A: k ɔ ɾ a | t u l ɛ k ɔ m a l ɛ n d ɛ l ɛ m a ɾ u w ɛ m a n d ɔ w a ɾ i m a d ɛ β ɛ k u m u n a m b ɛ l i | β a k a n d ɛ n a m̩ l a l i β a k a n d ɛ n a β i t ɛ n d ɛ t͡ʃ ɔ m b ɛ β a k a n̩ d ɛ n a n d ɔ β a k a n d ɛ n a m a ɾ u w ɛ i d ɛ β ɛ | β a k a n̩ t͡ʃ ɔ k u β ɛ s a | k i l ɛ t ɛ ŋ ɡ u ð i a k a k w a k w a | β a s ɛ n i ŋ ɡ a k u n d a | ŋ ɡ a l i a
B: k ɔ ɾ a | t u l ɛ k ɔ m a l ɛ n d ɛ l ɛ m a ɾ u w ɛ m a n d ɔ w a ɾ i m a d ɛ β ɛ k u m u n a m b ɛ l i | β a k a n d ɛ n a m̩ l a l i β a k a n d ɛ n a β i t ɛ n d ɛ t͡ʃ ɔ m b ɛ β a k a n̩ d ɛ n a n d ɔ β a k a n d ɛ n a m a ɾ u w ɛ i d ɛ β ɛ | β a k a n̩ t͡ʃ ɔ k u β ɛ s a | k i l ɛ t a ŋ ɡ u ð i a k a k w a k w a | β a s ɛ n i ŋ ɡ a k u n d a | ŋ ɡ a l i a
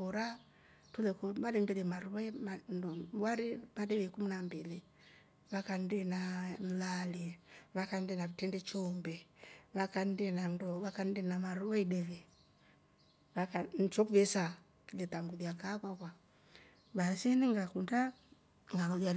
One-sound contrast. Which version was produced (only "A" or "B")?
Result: B